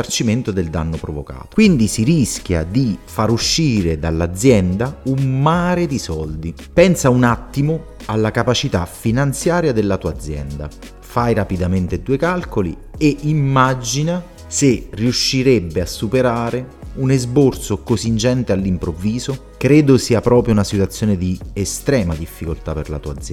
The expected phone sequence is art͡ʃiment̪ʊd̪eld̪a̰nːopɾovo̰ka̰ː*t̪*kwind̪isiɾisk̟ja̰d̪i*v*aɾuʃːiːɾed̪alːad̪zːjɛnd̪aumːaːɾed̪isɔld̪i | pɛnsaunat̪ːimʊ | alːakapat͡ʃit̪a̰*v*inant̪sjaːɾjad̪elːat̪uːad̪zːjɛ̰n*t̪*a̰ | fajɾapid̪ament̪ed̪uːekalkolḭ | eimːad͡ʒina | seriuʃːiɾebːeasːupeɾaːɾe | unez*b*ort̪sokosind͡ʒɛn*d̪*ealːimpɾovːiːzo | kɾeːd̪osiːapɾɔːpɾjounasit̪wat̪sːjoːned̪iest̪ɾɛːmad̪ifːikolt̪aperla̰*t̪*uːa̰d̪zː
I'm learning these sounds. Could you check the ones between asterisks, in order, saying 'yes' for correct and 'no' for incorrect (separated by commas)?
yes, no, no, no, yes, no, yes